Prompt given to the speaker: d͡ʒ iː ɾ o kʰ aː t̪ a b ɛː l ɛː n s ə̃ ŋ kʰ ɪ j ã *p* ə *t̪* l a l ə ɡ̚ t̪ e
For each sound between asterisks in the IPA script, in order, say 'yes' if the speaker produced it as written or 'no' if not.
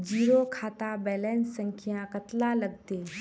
no, yes

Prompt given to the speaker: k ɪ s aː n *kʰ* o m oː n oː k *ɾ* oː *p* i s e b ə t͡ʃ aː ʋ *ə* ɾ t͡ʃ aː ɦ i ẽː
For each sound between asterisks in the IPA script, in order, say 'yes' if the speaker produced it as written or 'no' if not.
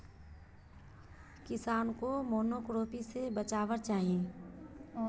no, yes, yes, yes

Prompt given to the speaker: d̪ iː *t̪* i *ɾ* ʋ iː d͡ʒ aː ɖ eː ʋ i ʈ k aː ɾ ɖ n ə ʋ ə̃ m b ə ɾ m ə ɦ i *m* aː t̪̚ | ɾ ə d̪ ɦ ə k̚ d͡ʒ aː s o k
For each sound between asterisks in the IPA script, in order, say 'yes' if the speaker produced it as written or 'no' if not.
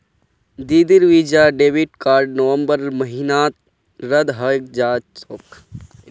no, yes, no

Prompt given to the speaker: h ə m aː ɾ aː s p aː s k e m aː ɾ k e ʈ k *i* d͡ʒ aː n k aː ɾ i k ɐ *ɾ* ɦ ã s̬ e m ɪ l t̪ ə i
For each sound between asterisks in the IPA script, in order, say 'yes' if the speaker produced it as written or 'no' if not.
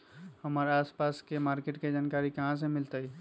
no, no

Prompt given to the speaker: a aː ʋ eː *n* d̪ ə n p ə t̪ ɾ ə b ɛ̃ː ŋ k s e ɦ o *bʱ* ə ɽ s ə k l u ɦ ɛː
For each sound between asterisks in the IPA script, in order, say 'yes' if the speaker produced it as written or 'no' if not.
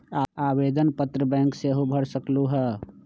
no, yes

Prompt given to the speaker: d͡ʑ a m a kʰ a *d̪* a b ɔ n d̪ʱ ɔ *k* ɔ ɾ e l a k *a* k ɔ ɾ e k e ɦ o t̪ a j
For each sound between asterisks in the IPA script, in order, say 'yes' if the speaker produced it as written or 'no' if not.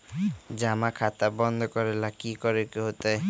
no, yes, no

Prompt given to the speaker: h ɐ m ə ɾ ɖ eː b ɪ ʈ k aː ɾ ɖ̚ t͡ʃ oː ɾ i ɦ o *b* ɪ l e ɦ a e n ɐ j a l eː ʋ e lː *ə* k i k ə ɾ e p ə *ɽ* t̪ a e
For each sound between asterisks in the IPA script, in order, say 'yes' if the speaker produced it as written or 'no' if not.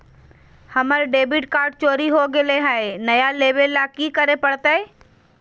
no, no, yes

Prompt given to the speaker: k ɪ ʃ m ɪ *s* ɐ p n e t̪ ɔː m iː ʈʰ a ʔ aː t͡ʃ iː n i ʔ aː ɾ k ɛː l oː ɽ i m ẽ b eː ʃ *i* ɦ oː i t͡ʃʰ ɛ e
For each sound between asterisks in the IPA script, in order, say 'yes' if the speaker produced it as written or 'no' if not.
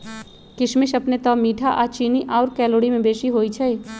no, yes

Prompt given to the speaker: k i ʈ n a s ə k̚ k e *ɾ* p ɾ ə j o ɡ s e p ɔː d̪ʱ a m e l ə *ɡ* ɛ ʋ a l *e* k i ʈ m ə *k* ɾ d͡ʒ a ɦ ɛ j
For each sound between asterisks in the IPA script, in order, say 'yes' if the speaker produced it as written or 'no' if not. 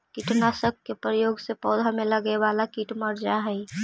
no, yes, no, no

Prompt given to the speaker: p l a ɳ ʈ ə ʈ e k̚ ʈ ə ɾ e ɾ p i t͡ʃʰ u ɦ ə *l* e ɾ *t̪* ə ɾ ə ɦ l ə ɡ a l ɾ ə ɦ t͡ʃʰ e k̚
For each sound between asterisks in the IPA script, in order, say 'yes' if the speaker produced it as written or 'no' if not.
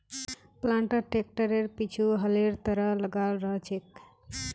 yes, yes

